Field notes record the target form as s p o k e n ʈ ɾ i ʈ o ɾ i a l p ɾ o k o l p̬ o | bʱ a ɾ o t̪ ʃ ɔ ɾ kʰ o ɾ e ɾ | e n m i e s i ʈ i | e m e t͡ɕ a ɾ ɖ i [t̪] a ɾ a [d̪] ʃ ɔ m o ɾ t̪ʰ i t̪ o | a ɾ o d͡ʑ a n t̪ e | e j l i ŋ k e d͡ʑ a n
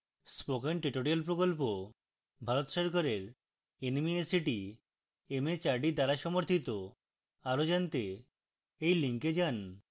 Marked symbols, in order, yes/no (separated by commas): no, no